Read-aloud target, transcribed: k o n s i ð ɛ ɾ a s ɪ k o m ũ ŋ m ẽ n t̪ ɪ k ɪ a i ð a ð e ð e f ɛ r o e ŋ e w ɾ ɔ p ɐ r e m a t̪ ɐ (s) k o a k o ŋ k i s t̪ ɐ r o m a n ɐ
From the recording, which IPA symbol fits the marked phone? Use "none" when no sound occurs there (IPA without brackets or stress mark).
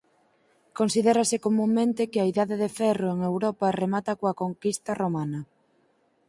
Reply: none